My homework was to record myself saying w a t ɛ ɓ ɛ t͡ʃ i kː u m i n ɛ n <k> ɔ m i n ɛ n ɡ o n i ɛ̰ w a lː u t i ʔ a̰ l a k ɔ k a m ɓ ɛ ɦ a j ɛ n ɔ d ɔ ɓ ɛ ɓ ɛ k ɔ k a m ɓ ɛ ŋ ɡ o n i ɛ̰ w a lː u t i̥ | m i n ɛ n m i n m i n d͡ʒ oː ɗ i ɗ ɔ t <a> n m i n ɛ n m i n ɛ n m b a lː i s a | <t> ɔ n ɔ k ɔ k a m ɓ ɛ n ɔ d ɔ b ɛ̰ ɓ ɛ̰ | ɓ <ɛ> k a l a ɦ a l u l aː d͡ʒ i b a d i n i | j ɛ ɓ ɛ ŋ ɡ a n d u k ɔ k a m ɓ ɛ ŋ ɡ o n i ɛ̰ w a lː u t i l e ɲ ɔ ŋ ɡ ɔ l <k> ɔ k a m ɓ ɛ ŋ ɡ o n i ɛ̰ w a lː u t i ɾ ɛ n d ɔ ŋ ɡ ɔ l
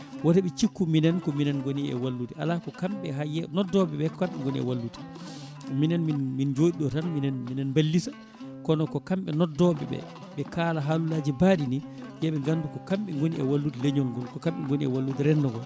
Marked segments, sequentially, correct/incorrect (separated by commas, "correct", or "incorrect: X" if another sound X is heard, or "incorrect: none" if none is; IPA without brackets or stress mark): correct, correct, incorrect: k, correct, correct